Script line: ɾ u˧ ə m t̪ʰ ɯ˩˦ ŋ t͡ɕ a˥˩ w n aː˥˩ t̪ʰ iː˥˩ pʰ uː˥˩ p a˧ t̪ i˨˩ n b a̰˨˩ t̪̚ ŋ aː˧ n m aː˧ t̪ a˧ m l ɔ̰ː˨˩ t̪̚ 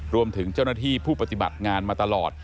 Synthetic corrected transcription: ɾ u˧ ə m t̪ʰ ɯ˩˦ ŋ t͡ɕ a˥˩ w n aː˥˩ t̪ʰ iː˥˩ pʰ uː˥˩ p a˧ t̪ i˨˩ b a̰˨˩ t̪̚ ŋ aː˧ n m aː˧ t̪ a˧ l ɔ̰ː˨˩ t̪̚